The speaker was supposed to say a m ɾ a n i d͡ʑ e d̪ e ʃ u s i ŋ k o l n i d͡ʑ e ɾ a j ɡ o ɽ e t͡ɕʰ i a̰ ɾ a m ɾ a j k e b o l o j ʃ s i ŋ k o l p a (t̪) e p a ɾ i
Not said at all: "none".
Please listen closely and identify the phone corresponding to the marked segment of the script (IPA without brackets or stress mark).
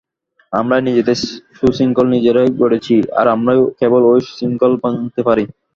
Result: t̪